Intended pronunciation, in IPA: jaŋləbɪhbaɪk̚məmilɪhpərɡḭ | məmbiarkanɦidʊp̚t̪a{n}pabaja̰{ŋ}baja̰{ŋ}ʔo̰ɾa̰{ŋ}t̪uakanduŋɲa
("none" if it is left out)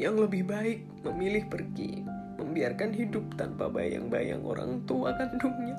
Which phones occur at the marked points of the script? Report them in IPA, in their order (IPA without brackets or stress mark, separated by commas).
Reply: n, ŋ, ŋ, ŋ